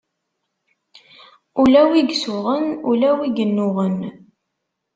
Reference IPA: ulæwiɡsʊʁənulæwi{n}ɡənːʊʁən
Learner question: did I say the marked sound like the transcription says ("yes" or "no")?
no